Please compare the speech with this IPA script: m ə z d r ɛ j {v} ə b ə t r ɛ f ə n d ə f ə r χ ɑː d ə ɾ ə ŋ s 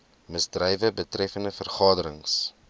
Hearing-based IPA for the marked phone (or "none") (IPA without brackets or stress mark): v